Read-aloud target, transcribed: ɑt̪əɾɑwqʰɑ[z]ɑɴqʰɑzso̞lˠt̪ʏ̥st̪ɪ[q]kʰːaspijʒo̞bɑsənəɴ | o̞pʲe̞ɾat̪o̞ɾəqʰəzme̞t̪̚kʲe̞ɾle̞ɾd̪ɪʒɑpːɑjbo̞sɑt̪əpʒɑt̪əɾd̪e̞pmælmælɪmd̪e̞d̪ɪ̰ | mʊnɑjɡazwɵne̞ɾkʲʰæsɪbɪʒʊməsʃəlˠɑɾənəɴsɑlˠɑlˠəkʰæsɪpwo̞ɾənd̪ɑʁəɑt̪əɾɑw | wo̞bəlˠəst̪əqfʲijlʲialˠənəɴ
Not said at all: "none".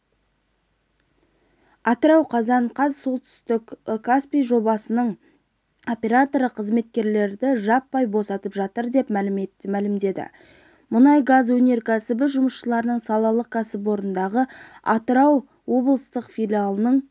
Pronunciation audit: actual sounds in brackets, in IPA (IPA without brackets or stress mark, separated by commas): z, k